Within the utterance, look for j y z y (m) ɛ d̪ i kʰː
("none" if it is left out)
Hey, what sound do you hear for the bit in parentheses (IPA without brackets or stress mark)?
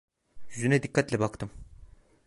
n